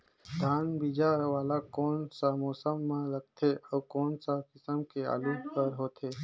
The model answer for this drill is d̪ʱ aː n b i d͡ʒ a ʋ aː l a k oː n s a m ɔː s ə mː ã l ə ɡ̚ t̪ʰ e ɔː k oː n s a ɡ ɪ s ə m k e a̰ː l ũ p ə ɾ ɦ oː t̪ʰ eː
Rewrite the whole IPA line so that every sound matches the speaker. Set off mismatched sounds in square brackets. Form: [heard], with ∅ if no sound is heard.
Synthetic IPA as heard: d̪ʱ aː n b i d͡ʒ a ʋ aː l a k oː n s a m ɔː s ə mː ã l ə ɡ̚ t̪ʰ e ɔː k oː n s a [k] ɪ s ə m k e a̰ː l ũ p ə ɾ ɦ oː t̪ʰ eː